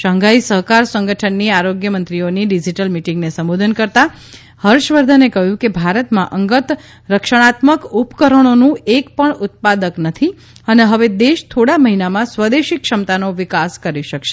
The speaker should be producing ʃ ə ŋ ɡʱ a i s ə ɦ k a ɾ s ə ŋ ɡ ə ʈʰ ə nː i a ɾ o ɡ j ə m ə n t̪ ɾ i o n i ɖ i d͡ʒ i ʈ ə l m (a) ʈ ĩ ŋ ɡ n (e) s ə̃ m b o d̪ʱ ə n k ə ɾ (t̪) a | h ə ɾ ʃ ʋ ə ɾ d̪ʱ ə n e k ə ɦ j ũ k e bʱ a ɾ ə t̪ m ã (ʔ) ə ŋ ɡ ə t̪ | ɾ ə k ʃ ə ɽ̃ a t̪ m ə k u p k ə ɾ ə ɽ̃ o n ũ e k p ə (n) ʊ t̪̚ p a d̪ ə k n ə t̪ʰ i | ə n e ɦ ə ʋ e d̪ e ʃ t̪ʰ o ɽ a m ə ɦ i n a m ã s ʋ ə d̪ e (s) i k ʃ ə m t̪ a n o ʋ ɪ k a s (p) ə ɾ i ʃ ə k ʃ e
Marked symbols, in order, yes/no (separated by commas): no, yes, yes, yes, no, no, no